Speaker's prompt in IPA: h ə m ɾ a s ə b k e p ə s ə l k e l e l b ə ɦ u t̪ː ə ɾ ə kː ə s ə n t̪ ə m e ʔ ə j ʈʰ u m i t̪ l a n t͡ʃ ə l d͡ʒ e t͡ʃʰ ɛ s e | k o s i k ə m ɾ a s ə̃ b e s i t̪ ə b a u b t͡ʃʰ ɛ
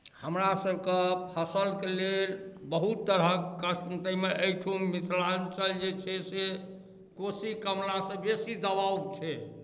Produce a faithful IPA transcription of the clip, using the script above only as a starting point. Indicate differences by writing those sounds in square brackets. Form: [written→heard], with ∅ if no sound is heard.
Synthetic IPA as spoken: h ə m ɾ a s ə b k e [p→pʰ] ə s ə l k e l e l b ə ɦ u t̪ː ə ɾ ə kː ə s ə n t̪ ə m e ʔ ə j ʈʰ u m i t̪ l a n t͡ʃ ə l d͡ʒ e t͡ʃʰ ɛ s e | k o s i k ə m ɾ a s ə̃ b e s i [t̪→d̪] ə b a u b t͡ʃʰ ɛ

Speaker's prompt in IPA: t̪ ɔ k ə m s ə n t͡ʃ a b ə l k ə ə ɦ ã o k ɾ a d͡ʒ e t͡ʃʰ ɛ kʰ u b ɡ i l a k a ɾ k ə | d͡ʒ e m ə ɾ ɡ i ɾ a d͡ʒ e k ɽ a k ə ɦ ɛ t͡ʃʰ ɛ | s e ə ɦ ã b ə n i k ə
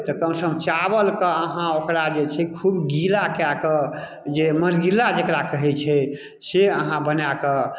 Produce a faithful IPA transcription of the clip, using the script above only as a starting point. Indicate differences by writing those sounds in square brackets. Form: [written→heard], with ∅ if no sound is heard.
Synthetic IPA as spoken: t̪ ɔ k ə m s ə [n→m] t͡ʃ a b ə l k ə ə ɦ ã o k ɾ a d͡ʒ e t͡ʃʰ ɛ kʰ u b ɡ i l a k a [ɾ→∅] k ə | d͡ʒ e m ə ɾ ɡ i [ɾ→l] a d͡ʒ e k [ɽ→ɾ] a k ə ɦ ɛ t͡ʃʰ ɛ | s e ə ɦ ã b ə n [i→a] k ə

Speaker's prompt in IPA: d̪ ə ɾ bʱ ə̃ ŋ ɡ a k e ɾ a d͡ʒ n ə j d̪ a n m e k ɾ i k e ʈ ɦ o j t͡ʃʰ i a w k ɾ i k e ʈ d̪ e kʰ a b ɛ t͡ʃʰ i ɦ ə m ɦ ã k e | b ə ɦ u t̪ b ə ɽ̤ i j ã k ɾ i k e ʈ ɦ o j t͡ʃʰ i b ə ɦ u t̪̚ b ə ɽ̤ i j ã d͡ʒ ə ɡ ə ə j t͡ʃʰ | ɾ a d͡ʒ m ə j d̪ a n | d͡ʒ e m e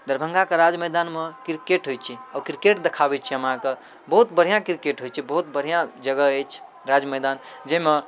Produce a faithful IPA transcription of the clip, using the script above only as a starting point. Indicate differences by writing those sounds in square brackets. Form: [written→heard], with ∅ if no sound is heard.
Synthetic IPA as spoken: d̪ ə ɾ bʱ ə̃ ŋ ɡ a k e ɾ a d͡ʒ [n→m] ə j d̪ a n m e k ɾ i k e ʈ ɦ o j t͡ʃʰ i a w k ɾ i k e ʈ d̪ e kʰ a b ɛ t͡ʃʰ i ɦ ə m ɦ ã k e | b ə ɦ u t̪ b ə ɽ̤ i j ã k ɾ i k e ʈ ɦ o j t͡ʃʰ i b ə ɦ u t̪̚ b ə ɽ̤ i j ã d͡ʒ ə ɡ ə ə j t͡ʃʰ | ɾ a d͡ʒ m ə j d̪ a n | d͡ʒ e m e

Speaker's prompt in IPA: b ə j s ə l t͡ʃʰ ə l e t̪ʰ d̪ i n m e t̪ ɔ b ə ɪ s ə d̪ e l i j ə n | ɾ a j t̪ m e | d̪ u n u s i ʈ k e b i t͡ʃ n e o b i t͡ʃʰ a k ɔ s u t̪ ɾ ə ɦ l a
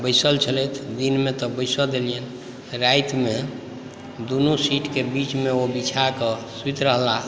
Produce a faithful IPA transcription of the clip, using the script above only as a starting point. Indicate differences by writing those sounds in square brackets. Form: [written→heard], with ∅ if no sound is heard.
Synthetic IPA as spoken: b ə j s ə l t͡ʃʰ ə l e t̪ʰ d̪ i n m e t̪ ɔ b ə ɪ s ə d̪ e l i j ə n | ɾ a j t̪ m e | d̪ u n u s i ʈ k e b i t͡ʃ [n→m] e o b i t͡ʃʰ a k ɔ s u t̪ ɾ ə ɦ l a

